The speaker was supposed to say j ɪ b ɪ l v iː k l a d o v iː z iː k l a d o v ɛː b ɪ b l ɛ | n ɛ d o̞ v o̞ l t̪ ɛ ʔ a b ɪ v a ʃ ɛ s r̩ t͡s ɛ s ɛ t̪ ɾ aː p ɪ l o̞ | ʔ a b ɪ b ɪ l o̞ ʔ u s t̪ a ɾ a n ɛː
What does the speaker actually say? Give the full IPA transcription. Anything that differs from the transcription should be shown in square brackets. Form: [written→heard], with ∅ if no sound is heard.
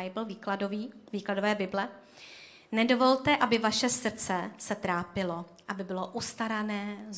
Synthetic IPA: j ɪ b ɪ l v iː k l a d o v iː [z→v] iː k l a d o v ɛː b ɪ b l ɛ | n ɛ d o̞ v o̞ l t̪ ɛ ʔ a b ɪ v a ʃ ɛ s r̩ t͡s ɛ s ɛ t̪ ɾ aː p ɪ l o̞ | ʔ a b ɪ b ɪ l o̞ ʔ u s t̪ a ɾ a n ɛː